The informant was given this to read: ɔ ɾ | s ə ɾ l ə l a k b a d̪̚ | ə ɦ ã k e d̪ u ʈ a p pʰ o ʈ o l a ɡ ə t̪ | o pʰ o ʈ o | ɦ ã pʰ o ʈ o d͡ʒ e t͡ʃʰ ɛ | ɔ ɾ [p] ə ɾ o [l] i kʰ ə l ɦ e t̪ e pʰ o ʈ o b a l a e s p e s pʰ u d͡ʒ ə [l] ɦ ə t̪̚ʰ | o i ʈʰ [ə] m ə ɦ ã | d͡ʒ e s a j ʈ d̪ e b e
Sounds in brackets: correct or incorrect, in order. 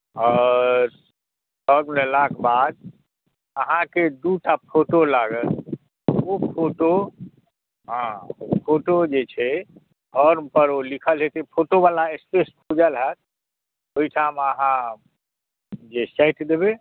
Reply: correct, correct, correct, incorrect

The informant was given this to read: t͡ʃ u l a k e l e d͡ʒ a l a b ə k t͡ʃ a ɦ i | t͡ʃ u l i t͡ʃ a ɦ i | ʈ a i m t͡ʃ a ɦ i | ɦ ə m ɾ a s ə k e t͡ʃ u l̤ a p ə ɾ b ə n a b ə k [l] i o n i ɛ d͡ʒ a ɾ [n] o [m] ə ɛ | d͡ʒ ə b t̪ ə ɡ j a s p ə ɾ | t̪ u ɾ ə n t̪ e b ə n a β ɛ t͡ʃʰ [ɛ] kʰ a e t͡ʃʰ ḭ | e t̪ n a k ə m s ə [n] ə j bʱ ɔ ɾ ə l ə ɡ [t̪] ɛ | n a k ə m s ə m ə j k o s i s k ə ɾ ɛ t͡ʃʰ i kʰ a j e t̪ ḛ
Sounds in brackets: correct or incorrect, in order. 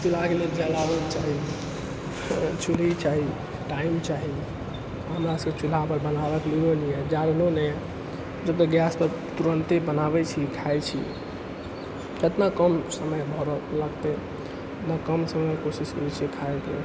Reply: correct, correct, incorrect, incorrect, incorrect, correct

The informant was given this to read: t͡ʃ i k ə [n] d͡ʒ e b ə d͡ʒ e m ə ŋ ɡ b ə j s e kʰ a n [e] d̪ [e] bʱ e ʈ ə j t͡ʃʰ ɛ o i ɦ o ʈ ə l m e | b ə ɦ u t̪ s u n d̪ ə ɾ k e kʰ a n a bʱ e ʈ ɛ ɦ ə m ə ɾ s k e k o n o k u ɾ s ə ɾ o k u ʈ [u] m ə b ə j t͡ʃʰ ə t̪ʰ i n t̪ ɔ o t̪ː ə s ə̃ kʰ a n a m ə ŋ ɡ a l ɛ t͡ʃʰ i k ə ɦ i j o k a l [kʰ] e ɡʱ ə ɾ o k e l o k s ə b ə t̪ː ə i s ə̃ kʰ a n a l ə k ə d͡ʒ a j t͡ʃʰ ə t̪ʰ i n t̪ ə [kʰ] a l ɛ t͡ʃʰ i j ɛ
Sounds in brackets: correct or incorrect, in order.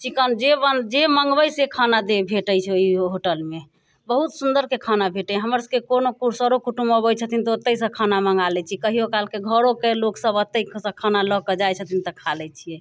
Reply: correct, incorrect, correct, correct, incorrect, correct

